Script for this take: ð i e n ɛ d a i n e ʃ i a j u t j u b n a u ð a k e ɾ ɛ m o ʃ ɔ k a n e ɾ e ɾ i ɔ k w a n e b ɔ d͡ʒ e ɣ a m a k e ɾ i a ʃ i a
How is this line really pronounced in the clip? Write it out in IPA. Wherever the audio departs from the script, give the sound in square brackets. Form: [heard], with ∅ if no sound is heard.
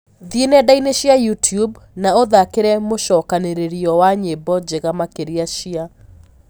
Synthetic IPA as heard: ð i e n ɛ d a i n e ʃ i a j u t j u b n a [o] ð a k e ɾ ɛ m o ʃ ɔ k a n e ɾ e ɾ i ɔ [∅] w a [ɲ] e b ɔ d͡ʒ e ɣ a m a k e ɾ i a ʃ i a